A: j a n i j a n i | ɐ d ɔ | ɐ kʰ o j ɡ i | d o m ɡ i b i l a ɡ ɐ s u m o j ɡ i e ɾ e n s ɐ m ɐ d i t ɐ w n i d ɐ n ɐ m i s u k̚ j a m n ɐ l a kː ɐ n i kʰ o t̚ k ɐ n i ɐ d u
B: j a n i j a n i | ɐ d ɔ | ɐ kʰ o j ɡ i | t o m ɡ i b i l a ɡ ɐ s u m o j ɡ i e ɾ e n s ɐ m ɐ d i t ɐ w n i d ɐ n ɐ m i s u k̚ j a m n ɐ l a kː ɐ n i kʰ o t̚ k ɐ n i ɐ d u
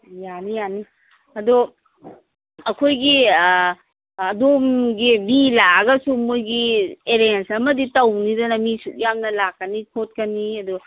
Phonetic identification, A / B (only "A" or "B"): A